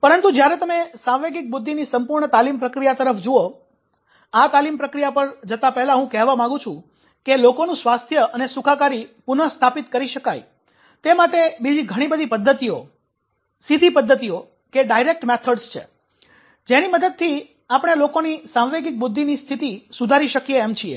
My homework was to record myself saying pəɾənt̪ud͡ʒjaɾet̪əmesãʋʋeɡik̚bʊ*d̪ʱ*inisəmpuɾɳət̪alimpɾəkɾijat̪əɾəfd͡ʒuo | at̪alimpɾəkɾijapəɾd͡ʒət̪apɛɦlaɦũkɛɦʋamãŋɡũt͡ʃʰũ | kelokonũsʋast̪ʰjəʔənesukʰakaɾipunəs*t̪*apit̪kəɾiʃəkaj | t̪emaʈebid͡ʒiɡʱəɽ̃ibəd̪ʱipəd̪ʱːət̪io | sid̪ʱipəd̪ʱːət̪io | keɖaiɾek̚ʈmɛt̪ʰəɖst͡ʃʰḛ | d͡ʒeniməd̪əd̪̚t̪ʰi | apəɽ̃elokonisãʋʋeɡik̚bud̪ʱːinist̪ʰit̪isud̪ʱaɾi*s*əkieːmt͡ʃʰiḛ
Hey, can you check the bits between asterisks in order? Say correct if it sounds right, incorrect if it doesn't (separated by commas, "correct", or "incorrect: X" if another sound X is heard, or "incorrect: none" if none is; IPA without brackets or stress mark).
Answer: incorrect: d̪ʱː, incorrect: t̪ʰ, incorrect: ʃ